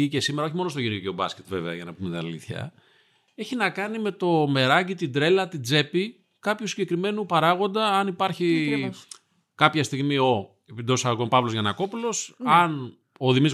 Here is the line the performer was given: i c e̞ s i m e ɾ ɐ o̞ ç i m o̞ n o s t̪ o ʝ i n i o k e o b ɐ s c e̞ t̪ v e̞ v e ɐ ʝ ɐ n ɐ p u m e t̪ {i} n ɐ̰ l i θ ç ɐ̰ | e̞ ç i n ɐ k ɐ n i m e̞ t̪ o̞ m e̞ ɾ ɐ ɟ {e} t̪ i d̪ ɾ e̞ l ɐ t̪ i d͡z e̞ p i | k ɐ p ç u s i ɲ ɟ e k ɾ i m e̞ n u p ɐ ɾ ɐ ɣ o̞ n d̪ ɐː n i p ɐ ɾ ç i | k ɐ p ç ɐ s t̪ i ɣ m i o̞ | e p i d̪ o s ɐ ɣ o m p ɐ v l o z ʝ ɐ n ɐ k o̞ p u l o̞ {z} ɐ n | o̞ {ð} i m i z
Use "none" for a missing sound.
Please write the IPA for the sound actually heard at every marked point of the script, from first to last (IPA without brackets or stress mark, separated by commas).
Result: i, i, s, ð